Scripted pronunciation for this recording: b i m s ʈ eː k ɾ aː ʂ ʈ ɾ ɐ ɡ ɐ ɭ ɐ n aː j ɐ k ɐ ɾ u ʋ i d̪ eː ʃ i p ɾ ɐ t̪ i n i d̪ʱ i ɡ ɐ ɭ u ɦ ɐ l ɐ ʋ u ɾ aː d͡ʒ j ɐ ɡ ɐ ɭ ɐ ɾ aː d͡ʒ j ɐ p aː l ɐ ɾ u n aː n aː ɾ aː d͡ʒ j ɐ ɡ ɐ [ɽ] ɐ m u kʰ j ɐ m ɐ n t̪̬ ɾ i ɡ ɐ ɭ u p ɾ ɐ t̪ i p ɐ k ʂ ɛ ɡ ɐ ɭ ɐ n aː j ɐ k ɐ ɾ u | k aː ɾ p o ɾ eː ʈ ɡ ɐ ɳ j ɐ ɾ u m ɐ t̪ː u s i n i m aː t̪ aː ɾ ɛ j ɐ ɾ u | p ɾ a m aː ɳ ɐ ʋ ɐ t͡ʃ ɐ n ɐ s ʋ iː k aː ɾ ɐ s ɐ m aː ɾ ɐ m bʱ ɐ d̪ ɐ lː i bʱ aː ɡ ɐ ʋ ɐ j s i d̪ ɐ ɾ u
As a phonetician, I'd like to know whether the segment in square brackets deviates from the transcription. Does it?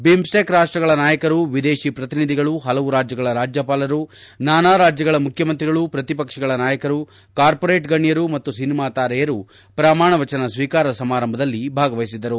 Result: yes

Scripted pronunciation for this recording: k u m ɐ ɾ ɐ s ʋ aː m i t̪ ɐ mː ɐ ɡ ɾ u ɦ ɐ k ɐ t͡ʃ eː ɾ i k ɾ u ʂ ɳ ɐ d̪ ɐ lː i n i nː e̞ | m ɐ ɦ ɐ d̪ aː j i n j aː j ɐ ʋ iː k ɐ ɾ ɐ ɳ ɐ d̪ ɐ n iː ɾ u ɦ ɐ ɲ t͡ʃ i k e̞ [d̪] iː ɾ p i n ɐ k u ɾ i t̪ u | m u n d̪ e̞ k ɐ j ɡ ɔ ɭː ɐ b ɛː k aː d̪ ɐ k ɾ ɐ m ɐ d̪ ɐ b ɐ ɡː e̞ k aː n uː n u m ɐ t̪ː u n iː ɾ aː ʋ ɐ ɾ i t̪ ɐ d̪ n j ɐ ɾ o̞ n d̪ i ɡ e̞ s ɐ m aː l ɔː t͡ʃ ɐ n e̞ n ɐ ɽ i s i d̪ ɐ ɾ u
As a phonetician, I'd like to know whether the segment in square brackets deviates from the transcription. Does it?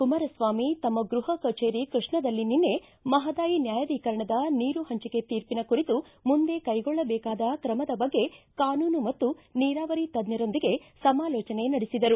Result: yes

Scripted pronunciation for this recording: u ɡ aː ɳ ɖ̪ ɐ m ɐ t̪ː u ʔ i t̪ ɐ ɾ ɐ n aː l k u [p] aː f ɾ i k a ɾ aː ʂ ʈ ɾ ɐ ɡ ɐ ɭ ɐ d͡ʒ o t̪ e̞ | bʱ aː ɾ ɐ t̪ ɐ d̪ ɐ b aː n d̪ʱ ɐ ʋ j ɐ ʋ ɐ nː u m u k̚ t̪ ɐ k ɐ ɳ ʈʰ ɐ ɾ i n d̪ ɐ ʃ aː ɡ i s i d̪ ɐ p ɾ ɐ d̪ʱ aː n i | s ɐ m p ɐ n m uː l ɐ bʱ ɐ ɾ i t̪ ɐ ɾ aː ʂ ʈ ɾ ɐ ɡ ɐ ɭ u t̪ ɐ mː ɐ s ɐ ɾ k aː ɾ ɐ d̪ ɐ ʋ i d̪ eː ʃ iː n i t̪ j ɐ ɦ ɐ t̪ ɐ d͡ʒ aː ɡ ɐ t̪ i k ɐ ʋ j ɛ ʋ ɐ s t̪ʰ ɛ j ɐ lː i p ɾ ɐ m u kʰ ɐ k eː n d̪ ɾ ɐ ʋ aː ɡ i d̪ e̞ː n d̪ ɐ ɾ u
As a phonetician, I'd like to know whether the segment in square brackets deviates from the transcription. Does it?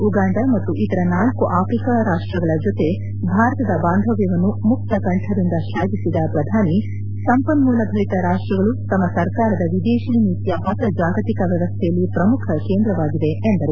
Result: yes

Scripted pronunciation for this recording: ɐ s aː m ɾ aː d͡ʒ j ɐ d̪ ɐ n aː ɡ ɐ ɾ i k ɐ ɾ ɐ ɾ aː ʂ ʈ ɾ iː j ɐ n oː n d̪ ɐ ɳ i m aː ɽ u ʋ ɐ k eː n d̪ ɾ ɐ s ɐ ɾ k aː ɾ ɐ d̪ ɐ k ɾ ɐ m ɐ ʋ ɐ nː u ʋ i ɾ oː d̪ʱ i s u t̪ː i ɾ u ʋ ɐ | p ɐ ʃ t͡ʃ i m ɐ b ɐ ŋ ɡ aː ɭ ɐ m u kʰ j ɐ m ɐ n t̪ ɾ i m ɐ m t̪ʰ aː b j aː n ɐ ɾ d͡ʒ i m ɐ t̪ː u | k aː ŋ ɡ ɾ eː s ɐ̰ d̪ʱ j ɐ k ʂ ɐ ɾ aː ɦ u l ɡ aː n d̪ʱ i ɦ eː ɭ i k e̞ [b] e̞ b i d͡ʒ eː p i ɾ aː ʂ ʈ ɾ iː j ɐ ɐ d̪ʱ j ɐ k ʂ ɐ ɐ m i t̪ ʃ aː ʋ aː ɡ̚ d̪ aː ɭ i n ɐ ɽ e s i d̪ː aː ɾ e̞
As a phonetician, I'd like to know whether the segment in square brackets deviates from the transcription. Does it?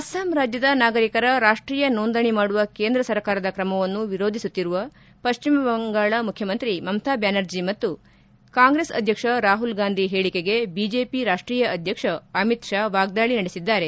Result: yes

